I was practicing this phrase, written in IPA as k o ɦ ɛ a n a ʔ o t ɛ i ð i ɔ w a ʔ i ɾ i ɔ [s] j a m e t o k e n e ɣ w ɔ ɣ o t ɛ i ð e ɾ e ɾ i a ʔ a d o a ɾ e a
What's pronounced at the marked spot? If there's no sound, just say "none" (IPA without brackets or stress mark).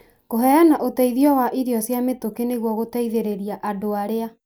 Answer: s